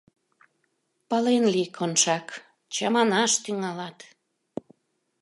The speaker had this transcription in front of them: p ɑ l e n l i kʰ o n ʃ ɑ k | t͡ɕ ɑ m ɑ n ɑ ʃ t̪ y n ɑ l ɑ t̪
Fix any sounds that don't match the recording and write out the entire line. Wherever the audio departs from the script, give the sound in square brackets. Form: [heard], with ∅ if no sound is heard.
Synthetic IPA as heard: p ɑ l e n l i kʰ o n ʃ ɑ k | t͡ɕ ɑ m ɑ n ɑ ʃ t̪ y [ŋ] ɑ l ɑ t̪